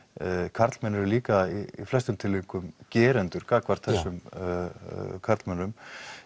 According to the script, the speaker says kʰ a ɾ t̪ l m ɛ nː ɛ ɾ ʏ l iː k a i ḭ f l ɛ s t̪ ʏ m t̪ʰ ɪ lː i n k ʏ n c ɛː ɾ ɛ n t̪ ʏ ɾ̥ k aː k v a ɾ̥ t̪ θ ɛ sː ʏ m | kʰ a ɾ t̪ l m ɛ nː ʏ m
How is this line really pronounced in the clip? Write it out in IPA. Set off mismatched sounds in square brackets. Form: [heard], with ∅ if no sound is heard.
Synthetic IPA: kʰ a ɾ t̪ l m ɛ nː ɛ ɾ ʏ l iː k a i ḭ f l ɛ s t̪ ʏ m t̪ʰ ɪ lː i [ŋ] k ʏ [m] c ɛː ɾ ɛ n t̪ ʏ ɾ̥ k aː k v a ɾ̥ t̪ θ ɛ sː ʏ m | kʰ a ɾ t̪ l m ɛ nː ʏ m